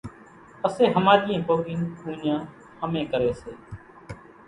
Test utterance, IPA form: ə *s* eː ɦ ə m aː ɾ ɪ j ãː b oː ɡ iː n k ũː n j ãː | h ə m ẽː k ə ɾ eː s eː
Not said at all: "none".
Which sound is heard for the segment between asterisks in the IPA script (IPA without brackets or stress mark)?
s